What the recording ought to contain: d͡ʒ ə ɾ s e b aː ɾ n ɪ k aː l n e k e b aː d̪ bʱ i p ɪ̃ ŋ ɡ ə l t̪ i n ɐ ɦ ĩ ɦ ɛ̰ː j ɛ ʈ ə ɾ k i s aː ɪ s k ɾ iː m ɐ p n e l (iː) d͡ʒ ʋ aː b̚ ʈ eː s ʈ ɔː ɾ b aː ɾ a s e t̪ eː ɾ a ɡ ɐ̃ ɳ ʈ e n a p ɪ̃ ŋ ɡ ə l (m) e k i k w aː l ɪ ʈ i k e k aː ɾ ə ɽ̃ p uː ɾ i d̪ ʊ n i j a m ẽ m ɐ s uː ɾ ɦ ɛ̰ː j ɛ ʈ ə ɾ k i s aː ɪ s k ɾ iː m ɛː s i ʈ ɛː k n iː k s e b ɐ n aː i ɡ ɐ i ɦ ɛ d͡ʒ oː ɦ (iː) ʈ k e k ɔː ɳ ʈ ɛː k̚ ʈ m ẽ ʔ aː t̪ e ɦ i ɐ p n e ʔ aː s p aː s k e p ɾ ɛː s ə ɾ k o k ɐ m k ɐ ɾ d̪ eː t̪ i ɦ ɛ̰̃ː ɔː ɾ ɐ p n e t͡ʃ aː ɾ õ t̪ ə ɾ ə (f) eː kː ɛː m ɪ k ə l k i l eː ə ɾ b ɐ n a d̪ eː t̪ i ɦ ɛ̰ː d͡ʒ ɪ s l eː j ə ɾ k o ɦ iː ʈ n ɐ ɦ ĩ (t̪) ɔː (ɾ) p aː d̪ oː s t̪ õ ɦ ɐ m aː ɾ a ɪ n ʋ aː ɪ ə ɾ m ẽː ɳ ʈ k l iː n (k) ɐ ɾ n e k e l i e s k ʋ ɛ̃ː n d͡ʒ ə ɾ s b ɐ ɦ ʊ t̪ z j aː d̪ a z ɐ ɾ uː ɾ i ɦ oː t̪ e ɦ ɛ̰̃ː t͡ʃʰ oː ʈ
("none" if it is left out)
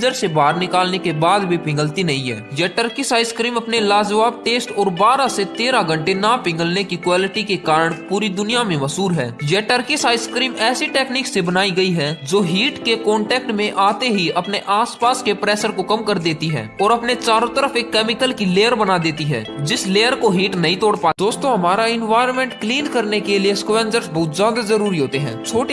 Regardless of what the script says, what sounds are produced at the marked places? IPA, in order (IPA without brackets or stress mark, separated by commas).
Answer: aː, n, iː, f, t̪, ɽ, k